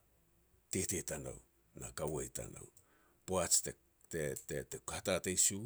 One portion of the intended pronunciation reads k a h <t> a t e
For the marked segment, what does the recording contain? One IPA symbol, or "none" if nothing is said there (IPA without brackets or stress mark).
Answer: t